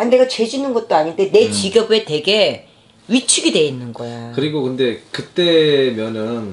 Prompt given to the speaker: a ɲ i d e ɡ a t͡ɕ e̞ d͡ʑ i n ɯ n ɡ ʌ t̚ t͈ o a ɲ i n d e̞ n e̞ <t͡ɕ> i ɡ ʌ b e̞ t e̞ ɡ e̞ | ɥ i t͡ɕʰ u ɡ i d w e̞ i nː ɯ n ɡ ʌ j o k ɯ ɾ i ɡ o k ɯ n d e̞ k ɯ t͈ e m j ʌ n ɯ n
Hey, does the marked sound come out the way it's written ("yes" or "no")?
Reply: yes